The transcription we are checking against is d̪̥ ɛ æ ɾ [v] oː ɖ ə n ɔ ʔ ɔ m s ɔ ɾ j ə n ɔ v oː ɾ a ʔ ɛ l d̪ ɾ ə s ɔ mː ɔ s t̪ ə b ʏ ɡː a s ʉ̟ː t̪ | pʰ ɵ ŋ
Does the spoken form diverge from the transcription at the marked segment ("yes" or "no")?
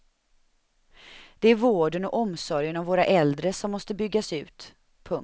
no